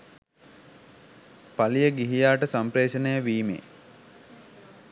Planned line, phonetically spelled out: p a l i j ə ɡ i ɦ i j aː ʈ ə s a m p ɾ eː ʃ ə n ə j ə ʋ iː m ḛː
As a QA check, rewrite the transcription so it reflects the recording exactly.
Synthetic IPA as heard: p a l i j ə ɡ i ɦ i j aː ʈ ə s a m p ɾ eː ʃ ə n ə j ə ʋ iː m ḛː